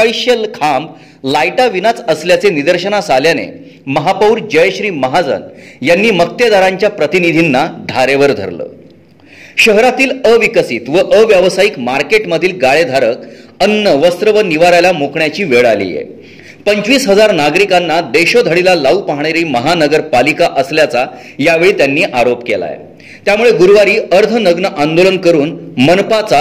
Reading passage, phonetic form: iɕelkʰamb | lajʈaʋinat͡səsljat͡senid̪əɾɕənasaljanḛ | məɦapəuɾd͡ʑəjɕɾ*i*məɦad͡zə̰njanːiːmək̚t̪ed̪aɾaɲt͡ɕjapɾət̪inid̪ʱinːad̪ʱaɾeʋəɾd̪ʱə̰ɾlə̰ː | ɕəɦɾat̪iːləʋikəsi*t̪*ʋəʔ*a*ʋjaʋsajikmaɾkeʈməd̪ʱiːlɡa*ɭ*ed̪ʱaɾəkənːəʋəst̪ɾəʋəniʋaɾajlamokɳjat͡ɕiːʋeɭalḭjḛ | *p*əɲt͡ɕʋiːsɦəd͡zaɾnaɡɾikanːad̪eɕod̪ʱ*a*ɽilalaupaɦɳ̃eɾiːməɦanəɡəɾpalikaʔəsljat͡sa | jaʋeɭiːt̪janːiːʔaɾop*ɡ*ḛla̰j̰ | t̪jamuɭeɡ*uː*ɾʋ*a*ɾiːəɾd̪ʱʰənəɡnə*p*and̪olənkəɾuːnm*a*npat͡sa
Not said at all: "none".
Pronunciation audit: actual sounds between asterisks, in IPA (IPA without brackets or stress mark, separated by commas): iː, t̪, ə, ɭ, p, ə, k, u, a, ʔ, ə